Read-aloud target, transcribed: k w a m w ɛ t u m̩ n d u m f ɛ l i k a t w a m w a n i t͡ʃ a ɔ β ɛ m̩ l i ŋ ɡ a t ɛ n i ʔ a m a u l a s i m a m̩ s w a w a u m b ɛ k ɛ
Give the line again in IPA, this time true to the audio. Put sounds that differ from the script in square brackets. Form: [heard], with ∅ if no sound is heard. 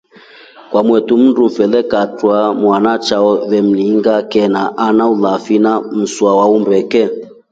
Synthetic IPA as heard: k w a m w ɛ t u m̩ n d u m f ɛ l [ɛ] k a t w a m w a n [a] t͡ʃ a ɔ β ɛ m̩ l i ŋ ɡ a [k] ɛ n [a] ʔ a [n] a u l a [f] i [n] a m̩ s w a w a u m b ɛ k ɛ